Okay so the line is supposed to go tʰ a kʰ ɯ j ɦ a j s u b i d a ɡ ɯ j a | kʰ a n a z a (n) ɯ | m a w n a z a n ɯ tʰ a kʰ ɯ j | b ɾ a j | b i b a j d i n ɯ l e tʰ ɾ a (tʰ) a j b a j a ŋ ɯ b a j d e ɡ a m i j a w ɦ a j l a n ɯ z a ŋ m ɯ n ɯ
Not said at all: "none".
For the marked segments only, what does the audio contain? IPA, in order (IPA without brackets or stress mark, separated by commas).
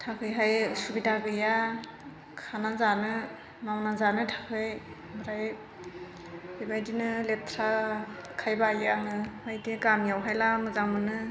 n, kʰ